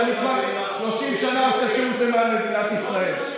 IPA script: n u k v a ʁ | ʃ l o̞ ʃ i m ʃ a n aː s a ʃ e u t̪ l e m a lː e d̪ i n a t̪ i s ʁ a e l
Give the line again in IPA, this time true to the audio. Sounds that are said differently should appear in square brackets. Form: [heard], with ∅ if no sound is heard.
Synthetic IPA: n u k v a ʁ | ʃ l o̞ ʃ i m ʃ a n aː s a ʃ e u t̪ l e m a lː e d̪ i n a t̪ i s ʁ a e l

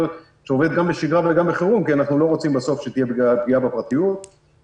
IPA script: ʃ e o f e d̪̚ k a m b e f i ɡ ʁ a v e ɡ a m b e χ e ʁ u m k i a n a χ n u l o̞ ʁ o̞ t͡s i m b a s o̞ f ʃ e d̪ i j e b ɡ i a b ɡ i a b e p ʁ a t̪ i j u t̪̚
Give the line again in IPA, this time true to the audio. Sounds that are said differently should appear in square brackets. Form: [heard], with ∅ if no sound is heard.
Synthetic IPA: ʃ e o [v] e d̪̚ [ɡ] a m b e [ʃ] i ɡ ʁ a v e ɡ a m b e χ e ʁ u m k i a n a χ n u l o̞ ʁ o̞ t͡s i m b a s o̞ f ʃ e [t̪] i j e b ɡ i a b ɡ i a b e p ʁ a t̪ i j u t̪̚

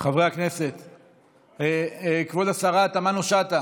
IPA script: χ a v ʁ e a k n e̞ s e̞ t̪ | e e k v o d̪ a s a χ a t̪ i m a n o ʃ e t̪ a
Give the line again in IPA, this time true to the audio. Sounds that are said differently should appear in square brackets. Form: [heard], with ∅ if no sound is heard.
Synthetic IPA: χ a v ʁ e a k n e̞ s e̞ t̪ | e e k v o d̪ a s a [ʁ] a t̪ [a] m a n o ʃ [a] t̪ a

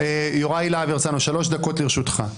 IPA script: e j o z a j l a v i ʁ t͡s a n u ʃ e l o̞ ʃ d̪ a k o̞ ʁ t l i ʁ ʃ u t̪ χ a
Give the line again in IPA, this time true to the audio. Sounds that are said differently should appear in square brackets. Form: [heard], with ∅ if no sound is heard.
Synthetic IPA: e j o [ʁ] a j l a v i ʁ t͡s a n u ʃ [a] l o̞ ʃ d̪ a k o̞ [∅] t l i ʁ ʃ u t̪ χ a

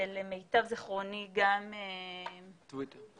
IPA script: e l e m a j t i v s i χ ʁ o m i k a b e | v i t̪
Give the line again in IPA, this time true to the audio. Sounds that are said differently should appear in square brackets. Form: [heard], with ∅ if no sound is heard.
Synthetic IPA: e l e m [e] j t [a] v [z] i χ ʁ o [n] i [ɡ] a [m] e | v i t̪

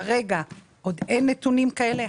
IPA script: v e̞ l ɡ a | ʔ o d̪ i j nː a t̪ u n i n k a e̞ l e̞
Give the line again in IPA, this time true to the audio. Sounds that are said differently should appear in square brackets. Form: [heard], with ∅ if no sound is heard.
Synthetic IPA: [ʁ] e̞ [∅] ɡ a | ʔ o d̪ [e] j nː [e] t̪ u n i [m] k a e̞ l e̞

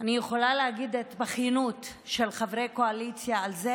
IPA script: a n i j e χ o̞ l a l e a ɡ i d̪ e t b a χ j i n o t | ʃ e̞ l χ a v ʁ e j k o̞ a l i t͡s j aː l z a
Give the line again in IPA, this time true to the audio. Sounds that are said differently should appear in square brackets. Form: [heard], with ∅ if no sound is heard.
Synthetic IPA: a n i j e χ o̞ l a l e a ɡ i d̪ e t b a χ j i n [u] t | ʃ e̞ l χ a v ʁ e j k o̞ a l i t͡s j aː l z [e]

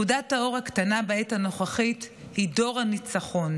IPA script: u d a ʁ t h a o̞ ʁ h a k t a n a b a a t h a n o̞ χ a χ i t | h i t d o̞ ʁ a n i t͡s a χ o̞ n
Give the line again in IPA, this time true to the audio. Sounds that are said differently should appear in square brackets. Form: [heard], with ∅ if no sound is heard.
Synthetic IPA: u d a [∅] t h a o̞ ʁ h a k t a n a b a [e] t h a n o̞ χ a χ i t | h i [∅] d o̞ ʁ a n i t͡s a χ o̞ n

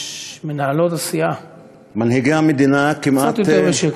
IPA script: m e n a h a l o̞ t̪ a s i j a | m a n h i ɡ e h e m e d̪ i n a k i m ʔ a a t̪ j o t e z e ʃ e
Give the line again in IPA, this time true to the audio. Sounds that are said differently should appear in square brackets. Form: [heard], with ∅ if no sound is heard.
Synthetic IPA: m e n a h a l o̞ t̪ a s i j a | m a n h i ɡ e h [a] m e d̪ i n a k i m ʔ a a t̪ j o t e [v] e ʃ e

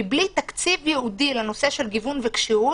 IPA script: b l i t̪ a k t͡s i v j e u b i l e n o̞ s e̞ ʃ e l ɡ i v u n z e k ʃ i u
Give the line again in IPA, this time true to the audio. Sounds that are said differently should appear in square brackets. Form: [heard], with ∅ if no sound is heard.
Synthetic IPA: b l i t̪ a k t͡s i v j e u [d] i l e n o̞ s e̞ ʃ e l ɡ i v u n [v] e k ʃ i u

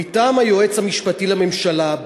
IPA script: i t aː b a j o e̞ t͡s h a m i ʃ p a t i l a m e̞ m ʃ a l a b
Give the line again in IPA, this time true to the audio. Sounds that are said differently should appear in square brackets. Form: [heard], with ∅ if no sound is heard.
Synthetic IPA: i t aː [m] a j o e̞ t͡s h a m i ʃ p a t i l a m e̞ m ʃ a l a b

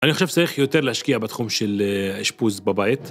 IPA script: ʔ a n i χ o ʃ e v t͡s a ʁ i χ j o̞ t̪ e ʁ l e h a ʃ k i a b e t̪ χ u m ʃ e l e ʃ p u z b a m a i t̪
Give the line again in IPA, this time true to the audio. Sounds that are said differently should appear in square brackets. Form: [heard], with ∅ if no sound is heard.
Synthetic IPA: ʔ a n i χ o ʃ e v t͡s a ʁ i χ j o̞ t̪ e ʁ l e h a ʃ k i a b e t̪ χ u m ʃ e l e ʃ p u z b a [b] a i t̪

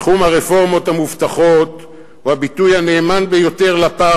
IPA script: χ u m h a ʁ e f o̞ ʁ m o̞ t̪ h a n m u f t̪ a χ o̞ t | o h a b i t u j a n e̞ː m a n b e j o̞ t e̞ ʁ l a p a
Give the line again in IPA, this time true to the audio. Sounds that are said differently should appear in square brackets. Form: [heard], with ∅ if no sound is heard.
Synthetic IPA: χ u m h a ʁ e f o̞ ʁ m o̞ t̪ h a [∅] m u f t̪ a χ o̞ t | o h a b i t u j a n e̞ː m a n b e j o̞ t e̞ ʁ l a p a

